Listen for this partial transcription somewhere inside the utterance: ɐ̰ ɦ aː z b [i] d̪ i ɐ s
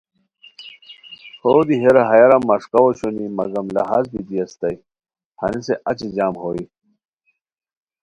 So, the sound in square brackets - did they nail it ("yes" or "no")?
yes